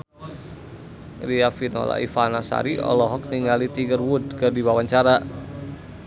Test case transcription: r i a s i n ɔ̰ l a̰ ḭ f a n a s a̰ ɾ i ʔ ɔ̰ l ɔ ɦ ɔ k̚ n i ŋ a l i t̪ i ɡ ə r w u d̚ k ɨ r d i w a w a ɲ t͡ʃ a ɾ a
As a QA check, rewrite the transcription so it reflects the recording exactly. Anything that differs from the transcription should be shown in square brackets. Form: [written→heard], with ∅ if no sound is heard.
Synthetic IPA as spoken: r i a [s→f] i n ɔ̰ l a̰ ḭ f a n a s a̰ ɾ i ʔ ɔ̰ l ɔ ɦ ɔ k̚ n i ŋ a l i t̪ i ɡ ə r w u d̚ k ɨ r d i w a w a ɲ t͡ʃ a ɾ a